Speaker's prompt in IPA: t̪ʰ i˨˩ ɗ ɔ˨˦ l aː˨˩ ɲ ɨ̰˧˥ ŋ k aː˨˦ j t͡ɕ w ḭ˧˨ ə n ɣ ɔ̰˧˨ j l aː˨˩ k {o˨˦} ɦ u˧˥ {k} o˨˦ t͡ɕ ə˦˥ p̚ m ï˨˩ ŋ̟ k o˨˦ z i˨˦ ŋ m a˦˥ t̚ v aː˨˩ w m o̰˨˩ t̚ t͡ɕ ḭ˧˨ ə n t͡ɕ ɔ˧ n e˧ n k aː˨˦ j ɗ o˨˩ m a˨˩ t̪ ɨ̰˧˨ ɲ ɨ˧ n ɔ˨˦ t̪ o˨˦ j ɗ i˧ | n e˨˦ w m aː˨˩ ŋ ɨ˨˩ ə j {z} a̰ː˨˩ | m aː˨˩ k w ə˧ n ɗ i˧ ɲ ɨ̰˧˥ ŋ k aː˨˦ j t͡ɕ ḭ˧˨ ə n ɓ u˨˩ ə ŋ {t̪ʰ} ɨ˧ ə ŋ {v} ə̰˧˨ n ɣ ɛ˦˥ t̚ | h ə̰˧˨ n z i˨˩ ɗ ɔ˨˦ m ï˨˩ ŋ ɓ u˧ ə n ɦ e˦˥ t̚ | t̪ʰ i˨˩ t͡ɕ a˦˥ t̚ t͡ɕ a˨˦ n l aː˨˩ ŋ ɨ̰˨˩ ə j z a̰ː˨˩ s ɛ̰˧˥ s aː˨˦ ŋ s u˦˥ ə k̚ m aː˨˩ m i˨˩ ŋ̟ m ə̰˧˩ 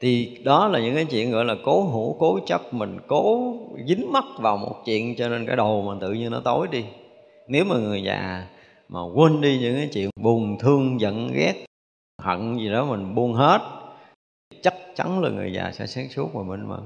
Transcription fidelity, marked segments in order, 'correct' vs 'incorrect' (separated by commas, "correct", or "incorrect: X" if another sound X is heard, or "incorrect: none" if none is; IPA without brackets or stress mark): correct, correct, correct, correct, incorrect: z